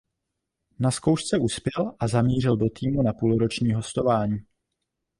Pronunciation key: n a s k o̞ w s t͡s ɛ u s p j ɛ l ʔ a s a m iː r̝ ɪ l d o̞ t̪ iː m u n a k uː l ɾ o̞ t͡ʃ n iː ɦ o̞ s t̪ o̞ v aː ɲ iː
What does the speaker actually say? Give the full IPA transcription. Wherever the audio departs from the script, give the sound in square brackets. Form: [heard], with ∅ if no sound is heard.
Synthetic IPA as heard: n a s k o̞ w [ʃ] t͡s ɛ u s p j ɛ l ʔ a [z] a m iː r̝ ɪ l d o̞ t̪ iː m u n a [p] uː l ɾ o̞ t͡ʃ [ɲ] iː ɦ o̞ s t̪ o̞ v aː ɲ iː